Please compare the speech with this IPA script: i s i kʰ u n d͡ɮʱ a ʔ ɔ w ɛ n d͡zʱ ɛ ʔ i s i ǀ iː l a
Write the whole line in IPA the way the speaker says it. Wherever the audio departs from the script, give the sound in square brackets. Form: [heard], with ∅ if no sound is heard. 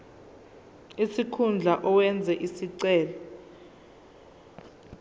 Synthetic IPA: i s i kʰ u n d͡ɮʱ a ʔ ɔ w ɛ n d͡zʱ ɛ ʔ i s i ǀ [ɛː] l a